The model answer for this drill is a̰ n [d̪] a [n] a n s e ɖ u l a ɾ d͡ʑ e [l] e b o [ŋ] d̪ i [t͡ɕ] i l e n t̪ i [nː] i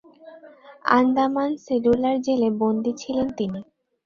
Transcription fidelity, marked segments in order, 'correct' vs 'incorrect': correct, incorrect: m, correct, incorrect: n, incorrect: t͡ɕʰ, incorrect: n

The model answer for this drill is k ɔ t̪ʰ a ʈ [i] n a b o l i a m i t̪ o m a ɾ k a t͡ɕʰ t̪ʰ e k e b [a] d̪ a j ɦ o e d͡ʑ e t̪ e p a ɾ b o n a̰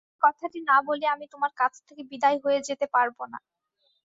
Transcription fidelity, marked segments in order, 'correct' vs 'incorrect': correct, incorrect: i

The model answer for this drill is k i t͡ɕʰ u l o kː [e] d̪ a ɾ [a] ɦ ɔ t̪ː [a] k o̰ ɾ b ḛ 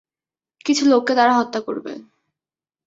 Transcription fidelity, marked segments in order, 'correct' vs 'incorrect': correct, correct, correct

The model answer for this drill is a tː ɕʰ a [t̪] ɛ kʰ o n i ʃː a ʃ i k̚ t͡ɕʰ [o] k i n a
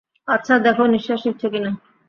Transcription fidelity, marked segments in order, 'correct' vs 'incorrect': incorrect: d̪, correct

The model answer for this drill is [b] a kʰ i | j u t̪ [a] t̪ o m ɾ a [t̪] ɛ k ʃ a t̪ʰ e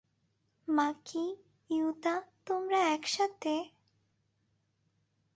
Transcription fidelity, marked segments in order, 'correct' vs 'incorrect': incorrect: m, correct, incorrect: none

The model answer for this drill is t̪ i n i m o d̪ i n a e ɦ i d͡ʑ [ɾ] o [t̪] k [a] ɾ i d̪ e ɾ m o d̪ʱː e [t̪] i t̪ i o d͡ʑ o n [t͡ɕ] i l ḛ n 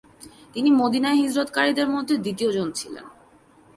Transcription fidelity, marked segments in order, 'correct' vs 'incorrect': correct, correct, correct, incorrect: d̪, incorrect: t͡ɕʰ

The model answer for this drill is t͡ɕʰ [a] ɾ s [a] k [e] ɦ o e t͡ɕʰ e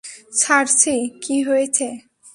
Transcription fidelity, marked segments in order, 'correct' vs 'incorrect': correct, incorrect: i, incorrect: i

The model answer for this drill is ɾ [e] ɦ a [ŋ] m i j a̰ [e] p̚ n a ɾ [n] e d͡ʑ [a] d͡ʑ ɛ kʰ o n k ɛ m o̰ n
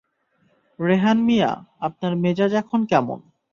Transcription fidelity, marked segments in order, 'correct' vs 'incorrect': correct, incorrect: n, incorrect: a, incorrect: m, correct

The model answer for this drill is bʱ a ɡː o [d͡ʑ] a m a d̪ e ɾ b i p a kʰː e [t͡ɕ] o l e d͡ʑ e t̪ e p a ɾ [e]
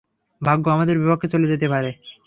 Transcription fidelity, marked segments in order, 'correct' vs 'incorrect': incorrect: none, correct, correct

